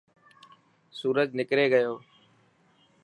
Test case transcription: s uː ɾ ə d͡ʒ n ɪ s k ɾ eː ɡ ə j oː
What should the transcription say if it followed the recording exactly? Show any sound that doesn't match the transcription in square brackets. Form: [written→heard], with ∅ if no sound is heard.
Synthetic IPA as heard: s uː ɾ ə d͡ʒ n ɪ [s→∅] k ɾ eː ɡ ə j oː